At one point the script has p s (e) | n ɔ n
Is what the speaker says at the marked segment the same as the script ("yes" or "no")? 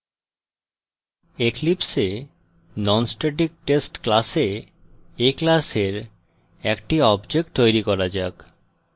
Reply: yes